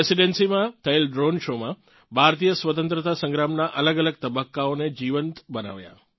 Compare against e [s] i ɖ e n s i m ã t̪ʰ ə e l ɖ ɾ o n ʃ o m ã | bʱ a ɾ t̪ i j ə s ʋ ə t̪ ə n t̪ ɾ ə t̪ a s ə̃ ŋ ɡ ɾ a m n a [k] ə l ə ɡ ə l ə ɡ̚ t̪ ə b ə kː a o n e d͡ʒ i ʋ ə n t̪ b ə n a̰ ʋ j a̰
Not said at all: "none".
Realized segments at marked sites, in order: s, ʔ

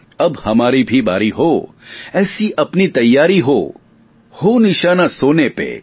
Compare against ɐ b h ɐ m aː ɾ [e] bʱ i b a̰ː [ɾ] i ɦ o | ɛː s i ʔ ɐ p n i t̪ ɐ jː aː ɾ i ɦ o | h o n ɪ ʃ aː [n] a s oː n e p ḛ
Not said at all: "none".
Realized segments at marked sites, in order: i, ɾ, n

